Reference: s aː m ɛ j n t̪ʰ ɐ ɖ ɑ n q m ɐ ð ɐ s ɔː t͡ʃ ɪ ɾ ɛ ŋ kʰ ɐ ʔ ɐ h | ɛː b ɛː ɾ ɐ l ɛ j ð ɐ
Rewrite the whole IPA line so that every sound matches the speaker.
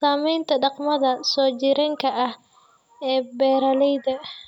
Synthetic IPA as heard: s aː m ɛ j n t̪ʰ ɐ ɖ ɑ q m ɐ ð ɐ s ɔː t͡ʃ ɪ ɾ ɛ ŋ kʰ ɐ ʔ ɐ h | ɛː b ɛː ɾ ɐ l ɛ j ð ɐ